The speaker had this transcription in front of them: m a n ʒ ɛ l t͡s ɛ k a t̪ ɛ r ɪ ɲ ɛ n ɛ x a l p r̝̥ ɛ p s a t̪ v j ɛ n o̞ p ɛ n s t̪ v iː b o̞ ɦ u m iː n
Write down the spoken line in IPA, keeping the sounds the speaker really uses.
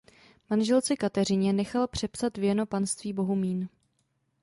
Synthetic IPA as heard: m a n ʒ ɛ l t͡s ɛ k a t̪ ɛ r ɪ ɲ ɛ n ɛ x a l p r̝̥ ɛ p s a t̪ v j ɛ n o̞ p a n s t̪ v iː b o̞ ɦ u m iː n

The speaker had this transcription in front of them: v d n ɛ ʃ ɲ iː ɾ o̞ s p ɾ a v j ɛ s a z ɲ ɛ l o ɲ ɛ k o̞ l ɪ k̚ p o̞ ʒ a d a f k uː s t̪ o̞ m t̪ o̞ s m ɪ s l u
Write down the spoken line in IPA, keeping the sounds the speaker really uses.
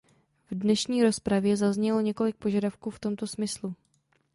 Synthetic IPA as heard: v d n ɛ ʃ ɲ iː ɾ o̞ s p ɾ a v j ɛ z a z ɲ ɛ l o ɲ ɛ k o̞ l ɪ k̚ p o̞ ʒ a d a f k uː f t̪ o̞ m t̪ o̞ s m ɪ s l u

